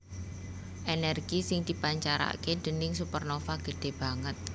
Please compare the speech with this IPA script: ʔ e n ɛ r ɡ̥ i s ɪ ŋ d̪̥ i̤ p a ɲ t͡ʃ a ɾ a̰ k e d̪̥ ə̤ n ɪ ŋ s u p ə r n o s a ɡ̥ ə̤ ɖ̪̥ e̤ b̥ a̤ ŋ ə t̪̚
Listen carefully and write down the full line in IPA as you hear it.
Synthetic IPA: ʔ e n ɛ r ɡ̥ i s ɪ ŋ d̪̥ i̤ p a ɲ t͡ʃ a ɾ a̰ k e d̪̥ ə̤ n ɪ ŋ s u p ə r n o f a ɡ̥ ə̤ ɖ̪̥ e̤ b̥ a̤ ŋ ə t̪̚